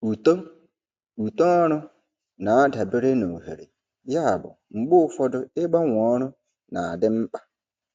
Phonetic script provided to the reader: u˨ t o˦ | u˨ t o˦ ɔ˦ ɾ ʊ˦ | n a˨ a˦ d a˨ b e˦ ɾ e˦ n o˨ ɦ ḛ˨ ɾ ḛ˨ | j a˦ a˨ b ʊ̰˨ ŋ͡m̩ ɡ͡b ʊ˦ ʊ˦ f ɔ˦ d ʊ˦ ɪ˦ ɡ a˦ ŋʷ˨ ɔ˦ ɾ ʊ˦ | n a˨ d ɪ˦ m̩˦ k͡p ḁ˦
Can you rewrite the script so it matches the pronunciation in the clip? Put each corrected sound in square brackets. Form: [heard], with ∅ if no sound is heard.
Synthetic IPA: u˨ t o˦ | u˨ t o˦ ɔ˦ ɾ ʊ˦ | n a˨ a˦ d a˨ b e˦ ɾ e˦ n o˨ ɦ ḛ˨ ɾ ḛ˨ | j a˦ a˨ b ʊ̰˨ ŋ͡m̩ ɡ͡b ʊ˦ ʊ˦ f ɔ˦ d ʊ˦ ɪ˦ [ɡ͡b] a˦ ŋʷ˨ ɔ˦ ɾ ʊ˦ | n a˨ d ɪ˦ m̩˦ k͡p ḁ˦